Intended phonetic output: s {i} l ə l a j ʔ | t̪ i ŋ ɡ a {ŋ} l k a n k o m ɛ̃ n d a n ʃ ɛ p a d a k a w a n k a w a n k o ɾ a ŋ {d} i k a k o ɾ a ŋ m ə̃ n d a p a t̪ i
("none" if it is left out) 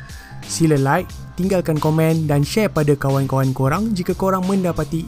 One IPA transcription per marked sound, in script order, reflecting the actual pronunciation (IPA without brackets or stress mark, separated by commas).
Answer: i, none, d͡ʒ